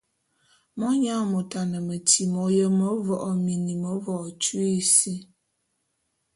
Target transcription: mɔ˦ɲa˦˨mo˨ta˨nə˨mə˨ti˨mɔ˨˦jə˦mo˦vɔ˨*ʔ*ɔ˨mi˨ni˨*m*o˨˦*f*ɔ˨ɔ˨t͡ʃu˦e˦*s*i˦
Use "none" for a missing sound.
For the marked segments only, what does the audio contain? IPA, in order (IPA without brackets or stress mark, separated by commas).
ʔ, m, v, s